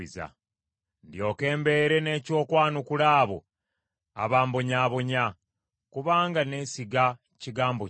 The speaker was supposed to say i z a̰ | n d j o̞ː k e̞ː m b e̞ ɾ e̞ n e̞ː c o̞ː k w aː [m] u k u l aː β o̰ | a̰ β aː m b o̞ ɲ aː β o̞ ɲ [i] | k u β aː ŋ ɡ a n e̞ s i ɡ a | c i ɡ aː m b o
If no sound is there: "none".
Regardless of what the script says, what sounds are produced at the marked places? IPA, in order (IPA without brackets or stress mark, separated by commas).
n, a